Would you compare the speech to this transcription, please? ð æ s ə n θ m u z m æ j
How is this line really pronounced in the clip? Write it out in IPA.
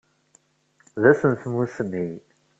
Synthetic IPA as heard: ð æ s ə n θ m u s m i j

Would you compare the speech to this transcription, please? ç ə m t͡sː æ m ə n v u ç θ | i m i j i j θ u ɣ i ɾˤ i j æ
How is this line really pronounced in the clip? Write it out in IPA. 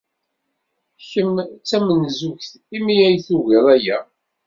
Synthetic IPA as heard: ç ə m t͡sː æ m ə n z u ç θ | i m i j æ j θ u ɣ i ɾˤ æ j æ

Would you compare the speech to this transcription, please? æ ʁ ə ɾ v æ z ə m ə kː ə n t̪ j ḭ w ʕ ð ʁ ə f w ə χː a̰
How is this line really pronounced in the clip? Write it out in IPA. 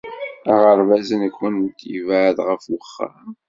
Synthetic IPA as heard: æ ʁ ə ɾ v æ z ə n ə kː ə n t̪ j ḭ v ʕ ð ʁ ə f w ə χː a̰

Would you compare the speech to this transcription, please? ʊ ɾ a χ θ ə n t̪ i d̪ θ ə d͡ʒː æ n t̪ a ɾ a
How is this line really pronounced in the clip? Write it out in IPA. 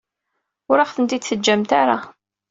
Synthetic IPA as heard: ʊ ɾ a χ θ ə n t̪ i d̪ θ ə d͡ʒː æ m t̪ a ɾ a

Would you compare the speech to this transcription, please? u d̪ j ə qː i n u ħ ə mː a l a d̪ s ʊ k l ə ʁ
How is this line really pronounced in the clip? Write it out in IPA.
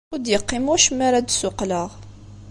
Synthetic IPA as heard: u d̪ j ə qː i m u ʃ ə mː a ɾ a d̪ s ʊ q l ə ʁ

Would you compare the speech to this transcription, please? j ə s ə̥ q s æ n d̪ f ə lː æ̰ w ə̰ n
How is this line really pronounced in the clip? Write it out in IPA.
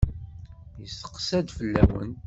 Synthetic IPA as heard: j ə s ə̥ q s æ d̪ f ə lː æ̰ w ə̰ n

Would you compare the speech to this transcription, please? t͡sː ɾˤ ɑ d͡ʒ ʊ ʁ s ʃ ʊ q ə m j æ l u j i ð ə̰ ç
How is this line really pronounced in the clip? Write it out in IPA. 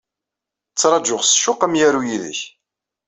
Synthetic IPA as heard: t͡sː ɾˤ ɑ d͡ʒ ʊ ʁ s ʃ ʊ q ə m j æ ɾ u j i ð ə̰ ç

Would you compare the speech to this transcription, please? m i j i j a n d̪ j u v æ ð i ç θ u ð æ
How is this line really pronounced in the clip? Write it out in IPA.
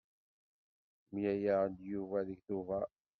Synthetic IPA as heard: m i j æ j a n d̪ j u v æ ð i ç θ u v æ

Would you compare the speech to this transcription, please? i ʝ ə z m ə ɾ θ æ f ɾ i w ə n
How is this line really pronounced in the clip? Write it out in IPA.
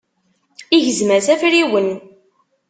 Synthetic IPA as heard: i ʝ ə z m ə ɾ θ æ f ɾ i w ə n

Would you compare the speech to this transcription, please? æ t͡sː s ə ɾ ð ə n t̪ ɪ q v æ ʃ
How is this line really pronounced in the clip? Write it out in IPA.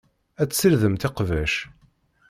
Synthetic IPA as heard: æ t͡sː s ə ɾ ð ə m t̪ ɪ q v æ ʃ

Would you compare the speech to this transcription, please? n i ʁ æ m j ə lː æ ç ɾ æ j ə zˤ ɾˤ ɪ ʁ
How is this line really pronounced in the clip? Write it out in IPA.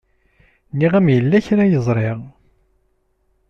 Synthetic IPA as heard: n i ʁ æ m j ə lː æ ç ɾ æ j ə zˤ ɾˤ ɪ ʁ

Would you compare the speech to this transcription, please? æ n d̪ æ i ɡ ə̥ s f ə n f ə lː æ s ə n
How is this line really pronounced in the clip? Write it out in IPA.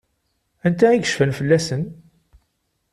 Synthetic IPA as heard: æ n t̪ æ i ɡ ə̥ ʃ f ə n f ə lː æ s ə n

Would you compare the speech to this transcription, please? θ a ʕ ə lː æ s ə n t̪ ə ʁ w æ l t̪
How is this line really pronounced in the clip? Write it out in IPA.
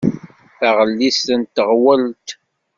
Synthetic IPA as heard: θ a ʁ ə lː i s ə n t̪ ə ʁ w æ l t̪

